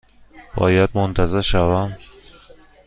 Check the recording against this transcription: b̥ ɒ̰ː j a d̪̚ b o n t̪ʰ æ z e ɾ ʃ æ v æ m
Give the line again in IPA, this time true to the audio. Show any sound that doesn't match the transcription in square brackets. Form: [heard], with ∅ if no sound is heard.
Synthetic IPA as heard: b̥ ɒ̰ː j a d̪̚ [m] o n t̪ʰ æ z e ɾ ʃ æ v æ m